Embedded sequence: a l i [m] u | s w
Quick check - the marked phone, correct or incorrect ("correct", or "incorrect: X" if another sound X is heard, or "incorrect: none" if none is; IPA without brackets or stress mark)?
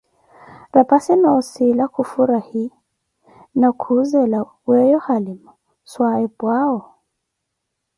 correct